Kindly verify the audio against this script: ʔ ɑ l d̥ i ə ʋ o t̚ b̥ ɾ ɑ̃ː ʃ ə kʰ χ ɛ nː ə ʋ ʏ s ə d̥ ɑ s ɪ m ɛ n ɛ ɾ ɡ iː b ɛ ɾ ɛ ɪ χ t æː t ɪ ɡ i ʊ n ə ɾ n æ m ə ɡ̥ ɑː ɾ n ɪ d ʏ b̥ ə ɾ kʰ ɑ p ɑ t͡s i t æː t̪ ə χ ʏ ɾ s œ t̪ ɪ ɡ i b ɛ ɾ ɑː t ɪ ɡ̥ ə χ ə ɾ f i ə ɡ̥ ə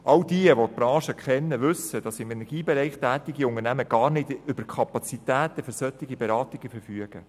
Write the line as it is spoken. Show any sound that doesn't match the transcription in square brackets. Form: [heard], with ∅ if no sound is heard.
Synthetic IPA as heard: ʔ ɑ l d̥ i ə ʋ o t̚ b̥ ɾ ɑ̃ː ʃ ə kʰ χ ɛ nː ə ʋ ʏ s ə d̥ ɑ s ɪ m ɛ n ɛ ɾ ɡ iː b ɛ ɾ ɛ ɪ χ t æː t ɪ ɡ i ʊ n ə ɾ n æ m ə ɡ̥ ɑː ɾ n ɪ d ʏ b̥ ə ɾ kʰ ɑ p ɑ t͡s i t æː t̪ ə [f] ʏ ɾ s œ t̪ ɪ ɡ i b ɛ ɾ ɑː t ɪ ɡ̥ ə [f] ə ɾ f [y] ə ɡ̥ ə